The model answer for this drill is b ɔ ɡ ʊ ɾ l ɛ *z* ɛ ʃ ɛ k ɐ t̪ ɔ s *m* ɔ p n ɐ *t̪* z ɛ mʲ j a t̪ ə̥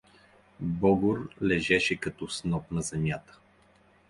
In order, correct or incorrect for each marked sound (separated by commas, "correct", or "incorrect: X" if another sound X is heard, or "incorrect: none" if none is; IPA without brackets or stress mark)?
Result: incorrect: ʒ, incorrect: n, incorrect: none